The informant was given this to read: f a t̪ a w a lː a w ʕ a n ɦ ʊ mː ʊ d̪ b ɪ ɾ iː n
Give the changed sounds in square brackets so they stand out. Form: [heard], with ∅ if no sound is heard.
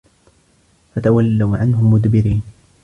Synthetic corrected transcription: f a t̪ a w a lː a w ʕ a n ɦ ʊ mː ʊ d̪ b ɪ ɾ iː n